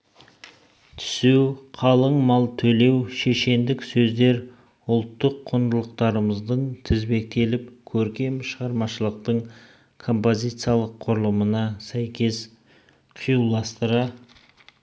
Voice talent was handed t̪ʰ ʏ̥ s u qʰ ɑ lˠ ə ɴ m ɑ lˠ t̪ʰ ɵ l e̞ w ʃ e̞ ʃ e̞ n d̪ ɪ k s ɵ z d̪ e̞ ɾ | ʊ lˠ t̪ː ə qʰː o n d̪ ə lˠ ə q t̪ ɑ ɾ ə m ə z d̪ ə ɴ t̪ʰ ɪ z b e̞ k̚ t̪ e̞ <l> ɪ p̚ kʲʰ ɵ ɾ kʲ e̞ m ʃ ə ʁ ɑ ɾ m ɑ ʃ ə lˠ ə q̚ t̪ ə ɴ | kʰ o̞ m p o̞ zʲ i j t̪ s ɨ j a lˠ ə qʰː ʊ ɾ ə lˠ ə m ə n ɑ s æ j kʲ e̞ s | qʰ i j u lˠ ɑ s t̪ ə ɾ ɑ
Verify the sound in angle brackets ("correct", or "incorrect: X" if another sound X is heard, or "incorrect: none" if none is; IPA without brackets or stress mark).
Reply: correct